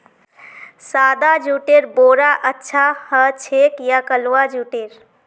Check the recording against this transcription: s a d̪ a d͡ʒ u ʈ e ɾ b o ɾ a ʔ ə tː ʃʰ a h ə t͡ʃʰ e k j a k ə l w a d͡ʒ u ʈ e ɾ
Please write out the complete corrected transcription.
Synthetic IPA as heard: s a d̪ a d͡ʒ u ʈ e ɾ b o ɾ a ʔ ə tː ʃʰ a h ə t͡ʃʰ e k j a k ə l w a d͡ʒ u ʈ e ɾ